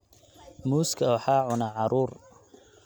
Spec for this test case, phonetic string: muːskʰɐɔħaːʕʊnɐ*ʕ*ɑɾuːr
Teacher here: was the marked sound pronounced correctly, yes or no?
yes